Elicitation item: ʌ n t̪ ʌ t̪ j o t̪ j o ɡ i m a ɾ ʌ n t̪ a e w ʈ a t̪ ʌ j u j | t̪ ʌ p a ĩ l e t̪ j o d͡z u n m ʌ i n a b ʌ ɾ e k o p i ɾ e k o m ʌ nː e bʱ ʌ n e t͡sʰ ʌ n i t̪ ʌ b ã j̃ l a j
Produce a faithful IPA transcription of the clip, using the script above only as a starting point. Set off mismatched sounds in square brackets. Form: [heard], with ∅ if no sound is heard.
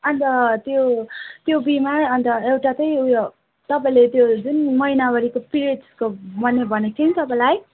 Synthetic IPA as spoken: ʌ n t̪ ʌ t̪ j o t̪ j o [b] i m a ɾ ʌ n t̪ [ʌ] e w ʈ a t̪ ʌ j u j | t̪ ʌ p a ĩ l e t̪ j o d͡z u n m ʌ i n a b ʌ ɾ [i] k o p i ɾ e k o m ʌ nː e bʱ ʌ n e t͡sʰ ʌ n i t̪ ʌ [p] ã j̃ l a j